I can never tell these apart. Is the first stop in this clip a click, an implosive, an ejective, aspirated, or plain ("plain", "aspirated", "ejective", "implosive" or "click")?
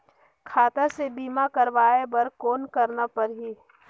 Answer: aspirated